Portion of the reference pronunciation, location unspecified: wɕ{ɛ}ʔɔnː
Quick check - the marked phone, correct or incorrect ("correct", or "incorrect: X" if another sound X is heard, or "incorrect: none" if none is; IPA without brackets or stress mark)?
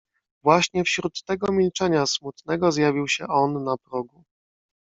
correct